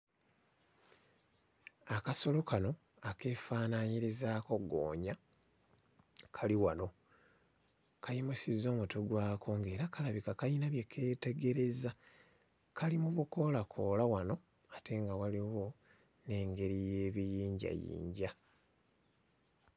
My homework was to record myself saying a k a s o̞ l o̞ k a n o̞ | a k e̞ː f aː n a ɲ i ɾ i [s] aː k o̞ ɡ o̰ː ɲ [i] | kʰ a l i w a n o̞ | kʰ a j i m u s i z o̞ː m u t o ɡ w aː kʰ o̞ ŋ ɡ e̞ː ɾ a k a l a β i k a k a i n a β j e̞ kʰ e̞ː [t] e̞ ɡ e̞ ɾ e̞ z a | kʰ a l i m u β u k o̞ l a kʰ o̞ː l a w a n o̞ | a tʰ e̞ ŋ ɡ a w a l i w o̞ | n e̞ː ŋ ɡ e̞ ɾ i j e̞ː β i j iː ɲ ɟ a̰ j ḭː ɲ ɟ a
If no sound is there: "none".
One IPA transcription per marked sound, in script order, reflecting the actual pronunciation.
z, a, t

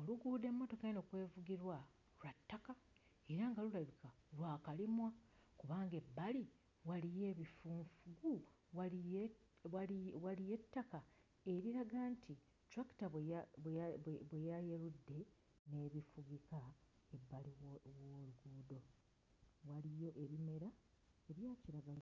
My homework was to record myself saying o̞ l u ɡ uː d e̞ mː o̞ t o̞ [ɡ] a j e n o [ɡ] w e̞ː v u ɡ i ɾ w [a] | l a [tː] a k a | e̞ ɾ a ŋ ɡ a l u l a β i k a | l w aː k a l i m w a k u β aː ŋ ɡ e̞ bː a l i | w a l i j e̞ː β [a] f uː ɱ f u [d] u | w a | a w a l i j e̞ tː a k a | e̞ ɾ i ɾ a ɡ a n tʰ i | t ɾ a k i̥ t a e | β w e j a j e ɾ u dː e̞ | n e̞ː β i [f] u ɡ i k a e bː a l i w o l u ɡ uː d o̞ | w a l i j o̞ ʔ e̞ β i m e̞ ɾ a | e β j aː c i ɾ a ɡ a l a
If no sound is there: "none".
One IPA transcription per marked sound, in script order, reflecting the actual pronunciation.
k, k, a, tː, i, ɡ, f

